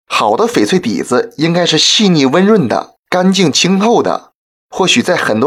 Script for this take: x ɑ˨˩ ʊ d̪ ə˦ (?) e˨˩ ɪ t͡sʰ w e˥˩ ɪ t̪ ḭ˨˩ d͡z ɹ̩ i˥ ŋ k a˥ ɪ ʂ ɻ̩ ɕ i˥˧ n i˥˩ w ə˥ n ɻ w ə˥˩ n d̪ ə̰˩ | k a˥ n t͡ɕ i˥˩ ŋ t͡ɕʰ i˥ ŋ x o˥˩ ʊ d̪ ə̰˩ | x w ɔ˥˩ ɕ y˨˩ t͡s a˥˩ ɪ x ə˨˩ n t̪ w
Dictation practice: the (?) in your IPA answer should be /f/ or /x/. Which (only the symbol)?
f